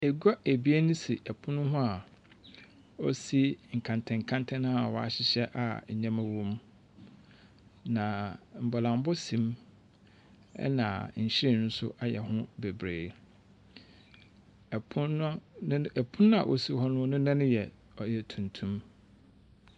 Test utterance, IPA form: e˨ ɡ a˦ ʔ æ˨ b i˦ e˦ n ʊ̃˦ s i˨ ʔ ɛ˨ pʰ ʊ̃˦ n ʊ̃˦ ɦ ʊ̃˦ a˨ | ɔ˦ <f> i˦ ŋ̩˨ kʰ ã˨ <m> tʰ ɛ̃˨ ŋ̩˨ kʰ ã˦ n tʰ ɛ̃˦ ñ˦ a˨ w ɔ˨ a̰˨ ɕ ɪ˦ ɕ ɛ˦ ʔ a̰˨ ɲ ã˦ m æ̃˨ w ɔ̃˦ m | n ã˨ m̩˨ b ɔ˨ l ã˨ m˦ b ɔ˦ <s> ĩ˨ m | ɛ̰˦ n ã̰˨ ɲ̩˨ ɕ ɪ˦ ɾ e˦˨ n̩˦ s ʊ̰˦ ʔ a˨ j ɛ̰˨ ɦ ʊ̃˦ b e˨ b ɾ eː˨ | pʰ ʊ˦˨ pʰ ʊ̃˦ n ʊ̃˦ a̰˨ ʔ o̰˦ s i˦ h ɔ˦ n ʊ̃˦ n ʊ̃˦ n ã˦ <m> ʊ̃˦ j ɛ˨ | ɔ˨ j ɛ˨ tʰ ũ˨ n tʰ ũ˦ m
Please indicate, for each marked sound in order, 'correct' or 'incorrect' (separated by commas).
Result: incorrect, incorrect, correct, incorrect